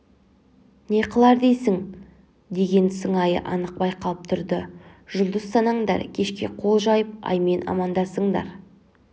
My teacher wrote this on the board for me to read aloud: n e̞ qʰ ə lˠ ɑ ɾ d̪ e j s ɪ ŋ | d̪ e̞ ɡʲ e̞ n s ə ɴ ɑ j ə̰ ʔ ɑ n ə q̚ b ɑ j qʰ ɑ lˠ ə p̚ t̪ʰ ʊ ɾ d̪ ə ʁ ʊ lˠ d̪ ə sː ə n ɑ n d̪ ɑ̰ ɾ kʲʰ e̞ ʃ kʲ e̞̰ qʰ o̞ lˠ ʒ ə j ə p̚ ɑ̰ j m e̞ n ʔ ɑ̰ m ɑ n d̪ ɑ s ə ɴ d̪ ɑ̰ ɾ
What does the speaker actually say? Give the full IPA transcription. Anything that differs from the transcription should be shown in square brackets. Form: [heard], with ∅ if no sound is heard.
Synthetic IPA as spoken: n e̞ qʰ ə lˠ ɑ ɾ d̪ e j s ɪ ŋ | d̪ e̞ ɡʲ e̞ n s ə ɴ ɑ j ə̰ ʔ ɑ n ə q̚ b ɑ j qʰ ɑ lˠ ə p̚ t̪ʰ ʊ ɾ d̪ ə [ʒ] ʊ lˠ d̪ ə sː [ɑ] n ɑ [ɴ] d̪ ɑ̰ ɾ kʲʰ e̞ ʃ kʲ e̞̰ qʰ o̞ lˠ ʒ [ɑ] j ə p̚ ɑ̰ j m e̞ n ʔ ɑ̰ m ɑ n d̪ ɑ s ə ɴ d̪ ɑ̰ ɾ